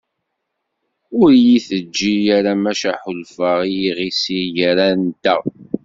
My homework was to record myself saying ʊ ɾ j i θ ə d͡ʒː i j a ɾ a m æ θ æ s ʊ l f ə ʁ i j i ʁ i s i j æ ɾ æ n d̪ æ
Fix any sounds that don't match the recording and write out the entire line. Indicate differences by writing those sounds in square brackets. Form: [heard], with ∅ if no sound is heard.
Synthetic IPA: ʊ ɾ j i θ ə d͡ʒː i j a ɾ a m æ [ʃ] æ [ħ] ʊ l f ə ʁ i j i ʁ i s i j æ ɾ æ n [t̪] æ